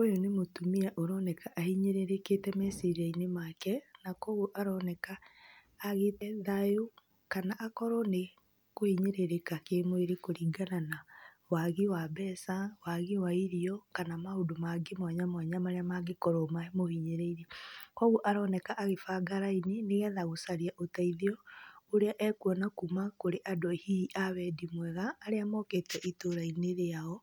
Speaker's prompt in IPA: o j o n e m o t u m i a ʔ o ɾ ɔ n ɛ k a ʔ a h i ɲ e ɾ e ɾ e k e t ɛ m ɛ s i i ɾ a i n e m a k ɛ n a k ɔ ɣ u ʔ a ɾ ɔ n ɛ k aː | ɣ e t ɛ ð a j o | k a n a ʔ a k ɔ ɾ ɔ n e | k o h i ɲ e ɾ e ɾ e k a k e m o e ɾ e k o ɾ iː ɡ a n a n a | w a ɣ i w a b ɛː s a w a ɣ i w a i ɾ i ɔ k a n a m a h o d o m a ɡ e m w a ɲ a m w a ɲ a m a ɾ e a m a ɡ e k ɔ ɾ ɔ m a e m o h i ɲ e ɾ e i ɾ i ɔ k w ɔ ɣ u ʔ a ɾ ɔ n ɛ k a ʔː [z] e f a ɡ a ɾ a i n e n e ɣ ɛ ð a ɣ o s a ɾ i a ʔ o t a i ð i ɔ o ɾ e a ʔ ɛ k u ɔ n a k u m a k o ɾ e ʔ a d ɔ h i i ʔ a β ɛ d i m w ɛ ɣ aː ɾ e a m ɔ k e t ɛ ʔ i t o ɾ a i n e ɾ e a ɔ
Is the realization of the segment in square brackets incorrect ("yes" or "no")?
yes